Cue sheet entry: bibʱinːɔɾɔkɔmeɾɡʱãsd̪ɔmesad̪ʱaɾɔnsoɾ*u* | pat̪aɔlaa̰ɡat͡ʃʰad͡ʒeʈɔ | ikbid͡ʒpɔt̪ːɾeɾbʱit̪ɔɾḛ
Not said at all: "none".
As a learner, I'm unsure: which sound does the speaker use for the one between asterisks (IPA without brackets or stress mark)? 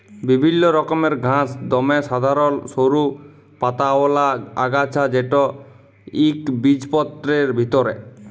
u